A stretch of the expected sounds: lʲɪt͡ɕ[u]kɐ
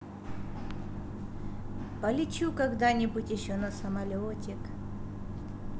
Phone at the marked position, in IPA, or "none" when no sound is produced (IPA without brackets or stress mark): u